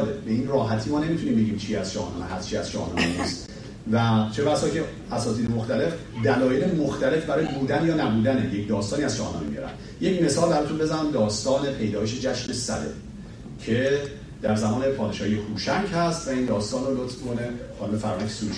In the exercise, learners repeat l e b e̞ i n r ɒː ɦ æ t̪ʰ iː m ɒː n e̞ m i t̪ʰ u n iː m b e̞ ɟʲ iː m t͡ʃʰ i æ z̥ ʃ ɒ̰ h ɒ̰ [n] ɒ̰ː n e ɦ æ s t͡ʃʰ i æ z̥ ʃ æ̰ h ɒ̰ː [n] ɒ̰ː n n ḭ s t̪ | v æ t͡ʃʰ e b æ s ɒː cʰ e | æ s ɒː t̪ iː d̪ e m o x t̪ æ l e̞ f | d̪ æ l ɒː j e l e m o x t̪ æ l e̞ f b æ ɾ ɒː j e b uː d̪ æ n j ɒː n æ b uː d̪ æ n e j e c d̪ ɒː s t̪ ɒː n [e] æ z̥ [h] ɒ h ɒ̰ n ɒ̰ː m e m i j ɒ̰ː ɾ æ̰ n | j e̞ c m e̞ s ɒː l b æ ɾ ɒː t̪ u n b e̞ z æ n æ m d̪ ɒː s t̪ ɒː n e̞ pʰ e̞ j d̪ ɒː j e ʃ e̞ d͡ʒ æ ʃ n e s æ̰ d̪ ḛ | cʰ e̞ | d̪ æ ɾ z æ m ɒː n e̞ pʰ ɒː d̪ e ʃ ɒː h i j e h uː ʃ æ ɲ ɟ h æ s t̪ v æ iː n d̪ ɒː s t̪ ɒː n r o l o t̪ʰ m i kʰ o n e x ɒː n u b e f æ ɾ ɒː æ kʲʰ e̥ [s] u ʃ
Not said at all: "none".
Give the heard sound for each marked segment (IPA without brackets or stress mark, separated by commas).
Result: n, n, i, ʃ, s